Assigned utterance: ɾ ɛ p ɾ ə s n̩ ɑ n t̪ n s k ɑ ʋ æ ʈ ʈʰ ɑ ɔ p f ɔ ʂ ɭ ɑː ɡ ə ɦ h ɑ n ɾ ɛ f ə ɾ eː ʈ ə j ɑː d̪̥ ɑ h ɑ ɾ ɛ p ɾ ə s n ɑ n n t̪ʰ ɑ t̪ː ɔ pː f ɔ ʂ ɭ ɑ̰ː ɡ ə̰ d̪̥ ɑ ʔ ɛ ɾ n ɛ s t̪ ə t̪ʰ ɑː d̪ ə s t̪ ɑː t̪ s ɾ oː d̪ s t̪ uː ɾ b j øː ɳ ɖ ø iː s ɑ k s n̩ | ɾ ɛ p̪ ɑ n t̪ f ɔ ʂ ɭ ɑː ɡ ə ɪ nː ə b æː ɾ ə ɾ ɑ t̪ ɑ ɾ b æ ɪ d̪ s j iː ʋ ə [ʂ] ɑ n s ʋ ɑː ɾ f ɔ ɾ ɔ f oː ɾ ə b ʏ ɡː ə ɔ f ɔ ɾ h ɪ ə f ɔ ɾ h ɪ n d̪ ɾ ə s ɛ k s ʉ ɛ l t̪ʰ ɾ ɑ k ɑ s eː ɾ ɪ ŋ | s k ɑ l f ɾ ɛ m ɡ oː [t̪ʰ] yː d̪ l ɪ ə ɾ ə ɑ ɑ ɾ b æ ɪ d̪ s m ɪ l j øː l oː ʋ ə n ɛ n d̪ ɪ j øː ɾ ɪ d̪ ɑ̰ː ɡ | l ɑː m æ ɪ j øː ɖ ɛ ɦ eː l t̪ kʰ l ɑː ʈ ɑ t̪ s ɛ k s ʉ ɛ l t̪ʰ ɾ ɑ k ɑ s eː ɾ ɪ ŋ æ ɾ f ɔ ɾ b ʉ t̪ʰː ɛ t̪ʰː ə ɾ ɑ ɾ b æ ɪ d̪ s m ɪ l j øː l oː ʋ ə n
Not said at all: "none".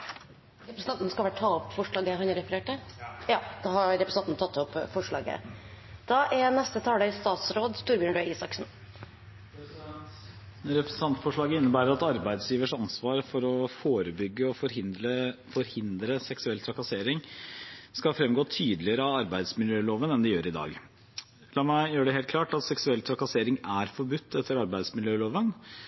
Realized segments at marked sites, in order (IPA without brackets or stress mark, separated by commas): ʂ, t̪ʰ